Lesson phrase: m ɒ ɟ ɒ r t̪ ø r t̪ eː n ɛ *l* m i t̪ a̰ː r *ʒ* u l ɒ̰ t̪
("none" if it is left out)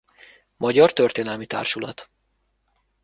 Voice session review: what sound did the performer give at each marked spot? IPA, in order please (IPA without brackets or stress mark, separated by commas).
l, ʃ